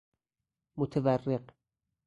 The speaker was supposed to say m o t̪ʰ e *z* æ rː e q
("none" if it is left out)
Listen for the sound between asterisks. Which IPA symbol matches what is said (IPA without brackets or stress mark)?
v